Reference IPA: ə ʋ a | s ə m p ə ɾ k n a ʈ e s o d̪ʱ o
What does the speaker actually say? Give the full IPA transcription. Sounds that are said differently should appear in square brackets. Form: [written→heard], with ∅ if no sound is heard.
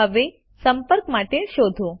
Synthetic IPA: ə ʋ [a→e] | s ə m p ə ɾ k [n→m] a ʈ e [s→ʃ] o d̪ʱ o